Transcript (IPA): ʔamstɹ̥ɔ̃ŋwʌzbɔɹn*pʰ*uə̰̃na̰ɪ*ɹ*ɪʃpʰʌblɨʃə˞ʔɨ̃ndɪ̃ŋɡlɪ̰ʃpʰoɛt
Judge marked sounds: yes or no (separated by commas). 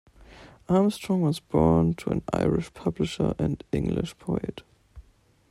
no, yes